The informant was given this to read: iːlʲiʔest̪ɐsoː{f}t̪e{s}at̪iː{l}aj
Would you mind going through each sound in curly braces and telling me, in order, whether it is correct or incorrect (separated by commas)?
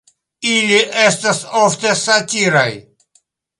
correct, correct, incorrect